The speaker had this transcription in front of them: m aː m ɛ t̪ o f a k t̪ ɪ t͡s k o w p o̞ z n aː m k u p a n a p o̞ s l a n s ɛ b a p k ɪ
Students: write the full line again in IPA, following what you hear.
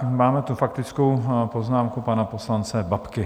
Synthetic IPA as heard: m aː m ɛ t̪ u f a k t̪ ɪ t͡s k o w p o̞ z n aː m k u p a n a p o̞ s l a n t͡s ɛ b a p k ɪ